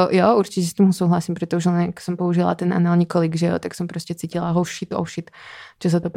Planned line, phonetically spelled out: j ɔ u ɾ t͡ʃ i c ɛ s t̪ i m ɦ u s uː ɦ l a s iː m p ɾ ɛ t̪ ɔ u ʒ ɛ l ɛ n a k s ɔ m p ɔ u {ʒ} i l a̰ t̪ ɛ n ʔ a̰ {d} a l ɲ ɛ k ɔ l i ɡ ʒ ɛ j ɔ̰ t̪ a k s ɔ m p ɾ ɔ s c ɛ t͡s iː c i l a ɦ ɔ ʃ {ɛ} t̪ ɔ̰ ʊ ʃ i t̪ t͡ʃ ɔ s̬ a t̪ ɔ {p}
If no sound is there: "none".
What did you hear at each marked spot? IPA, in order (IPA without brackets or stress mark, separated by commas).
ʒ, n, i, p